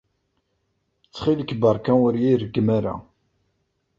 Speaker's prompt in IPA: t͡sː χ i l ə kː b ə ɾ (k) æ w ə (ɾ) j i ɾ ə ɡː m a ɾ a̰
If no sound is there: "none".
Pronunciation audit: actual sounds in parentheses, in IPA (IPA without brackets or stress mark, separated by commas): k, ɾ